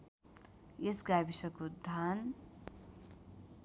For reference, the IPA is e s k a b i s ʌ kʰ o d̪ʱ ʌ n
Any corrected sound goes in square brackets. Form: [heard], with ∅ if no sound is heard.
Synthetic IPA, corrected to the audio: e s [ɡ] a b i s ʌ [k] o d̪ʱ [a] n